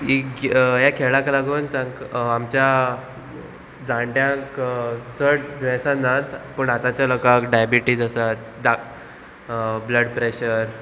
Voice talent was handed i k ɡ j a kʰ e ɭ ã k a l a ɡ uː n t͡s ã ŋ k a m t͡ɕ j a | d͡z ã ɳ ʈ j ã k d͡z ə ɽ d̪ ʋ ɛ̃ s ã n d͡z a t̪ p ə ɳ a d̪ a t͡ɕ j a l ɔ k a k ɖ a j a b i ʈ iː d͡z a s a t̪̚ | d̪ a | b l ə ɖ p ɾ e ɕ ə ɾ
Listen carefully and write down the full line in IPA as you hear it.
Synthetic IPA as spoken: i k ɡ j a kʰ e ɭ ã k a l a ɡ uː n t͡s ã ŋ k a m t͡ɕ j a | d͡z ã ɳ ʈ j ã k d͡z ə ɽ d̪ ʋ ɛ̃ s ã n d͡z a t̪ p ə ɳ a t̪ a t͡ɕ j a l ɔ k a k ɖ a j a b i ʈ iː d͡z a s a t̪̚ | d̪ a | b l ə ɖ p ɾ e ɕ ə ɾ